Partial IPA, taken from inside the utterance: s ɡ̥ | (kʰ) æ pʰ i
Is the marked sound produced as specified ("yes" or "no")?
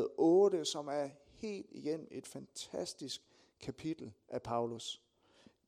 yes